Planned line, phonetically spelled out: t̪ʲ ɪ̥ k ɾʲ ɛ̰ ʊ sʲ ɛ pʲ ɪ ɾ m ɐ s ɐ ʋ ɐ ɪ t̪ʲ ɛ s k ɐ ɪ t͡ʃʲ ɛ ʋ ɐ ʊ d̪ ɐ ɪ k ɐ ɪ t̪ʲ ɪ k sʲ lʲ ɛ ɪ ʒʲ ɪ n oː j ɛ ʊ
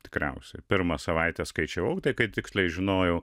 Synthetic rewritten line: t̪ʲ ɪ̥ k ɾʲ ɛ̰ ʊ sʲ ɛ pʲ ɪ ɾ m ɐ s ɐ ʋ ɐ ɪ t̪ʲ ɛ s k ɐ ɪ t͡ʃʲ ɛ ʋ ɐ ʊ t̪ ɐ ɪ k ɐ ɪ t̪ʲ ɪ k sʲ lʲ ɛ ɪ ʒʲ ɪ n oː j ɛ ʊ